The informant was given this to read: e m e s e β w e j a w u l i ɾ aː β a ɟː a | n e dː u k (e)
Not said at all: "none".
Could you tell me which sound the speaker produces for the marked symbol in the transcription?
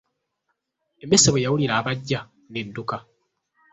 a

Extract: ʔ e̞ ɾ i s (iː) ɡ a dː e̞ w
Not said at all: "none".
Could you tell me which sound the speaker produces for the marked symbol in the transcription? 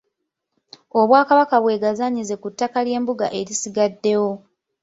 i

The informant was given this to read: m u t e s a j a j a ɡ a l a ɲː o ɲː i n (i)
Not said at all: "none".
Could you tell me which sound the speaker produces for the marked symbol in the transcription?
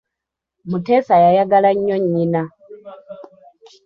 a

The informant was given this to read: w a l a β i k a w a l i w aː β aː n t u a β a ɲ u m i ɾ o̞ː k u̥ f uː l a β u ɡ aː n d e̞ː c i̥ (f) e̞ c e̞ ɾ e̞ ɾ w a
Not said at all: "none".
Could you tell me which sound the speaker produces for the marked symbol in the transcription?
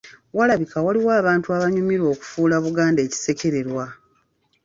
s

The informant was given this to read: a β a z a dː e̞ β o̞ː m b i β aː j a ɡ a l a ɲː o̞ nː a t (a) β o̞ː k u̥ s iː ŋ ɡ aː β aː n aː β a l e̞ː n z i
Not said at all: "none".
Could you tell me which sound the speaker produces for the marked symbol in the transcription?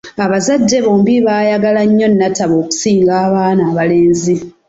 a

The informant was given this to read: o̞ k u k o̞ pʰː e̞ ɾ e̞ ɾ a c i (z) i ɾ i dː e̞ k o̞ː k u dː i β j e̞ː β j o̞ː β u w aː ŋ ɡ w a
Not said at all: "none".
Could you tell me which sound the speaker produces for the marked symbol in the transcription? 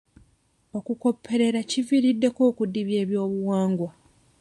v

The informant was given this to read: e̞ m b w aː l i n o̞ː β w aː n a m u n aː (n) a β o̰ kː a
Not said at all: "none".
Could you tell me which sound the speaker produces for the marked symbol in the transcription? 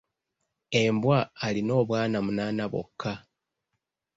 n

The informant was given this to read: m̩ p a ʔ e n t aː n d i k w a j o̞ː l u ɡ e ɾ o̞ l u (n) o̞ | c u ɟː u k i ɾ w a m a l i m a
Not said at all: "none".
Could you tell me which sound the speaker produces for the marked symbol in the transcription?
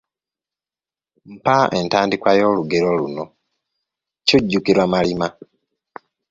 n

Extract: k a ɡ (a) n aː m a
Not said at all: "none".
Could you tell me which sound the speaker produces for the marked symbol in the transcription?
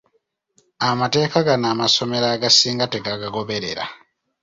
a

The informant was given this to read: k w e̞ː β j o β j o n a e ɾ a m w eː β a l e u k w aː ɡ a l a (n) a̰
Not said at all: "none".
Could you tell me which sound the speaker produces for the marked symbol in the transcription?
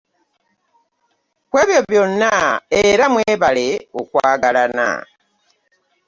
n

